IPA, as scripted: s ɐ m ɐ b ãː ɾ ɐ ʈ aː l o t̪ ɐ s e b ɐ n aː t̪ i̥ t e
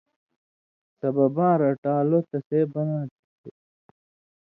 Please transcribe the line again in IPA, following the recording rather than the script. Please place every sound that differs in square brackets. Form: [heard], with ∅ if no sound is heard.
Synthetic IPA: s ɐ [b] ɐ b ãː ɾ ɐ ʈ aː l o t̪ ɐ s e b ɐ n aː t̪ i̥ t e

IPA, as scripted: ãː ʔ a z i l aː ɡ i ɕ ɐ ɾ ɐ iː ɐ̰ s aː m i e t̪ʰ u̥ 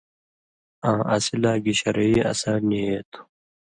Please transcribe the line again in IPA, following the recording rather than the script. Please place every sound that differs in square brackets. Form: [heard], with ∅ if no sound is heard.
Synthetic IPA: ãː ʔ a [s] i l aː ɡ i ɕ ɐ ɾ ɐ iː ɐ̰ s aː [n] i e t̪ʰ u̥

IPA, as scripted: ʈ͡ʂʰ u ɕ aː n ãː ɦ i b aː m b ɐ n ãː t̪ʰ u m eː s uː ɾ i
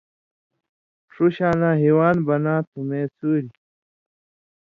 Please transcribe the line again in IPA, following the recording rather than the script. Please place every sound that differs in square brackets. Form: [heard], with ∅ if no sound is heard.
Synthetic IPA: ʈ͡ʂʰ u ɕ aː n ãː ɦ i [w] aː [n] b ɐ n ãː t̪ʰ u m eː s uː ɾ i

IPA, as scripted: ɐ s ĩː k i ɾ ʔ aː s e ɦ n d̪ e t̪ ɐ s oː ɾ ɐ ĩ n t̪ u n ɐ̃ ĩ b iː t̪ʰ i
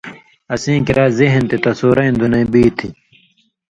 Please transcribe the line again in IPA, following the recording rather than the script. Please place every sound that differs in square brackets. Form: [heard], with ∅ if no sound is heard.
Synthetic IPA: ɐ s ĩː k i ɾ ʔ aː [z] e ɦ n [t̪] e t̪ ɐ s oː ɾ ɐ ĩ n [d̪] u n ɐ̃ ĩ b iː t̪ʰ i

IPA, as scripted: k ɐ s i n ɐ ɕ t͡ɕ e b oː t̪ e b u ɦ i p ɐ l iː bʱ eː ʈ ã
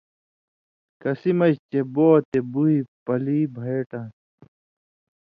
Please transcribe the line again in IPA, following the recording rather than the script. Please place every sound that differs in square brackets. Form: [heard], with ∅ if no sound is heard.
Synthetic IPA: k ɐ s i [m] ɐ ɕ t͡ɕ e b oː t̪ e b u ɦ i p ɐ l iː bʱ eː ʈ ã

